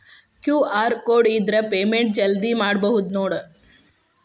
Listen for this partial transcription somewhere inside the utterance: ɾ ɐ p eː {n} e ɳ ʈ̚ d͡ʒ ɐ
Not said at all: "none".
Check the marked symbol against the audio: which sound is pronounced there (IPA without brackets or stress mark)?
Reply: m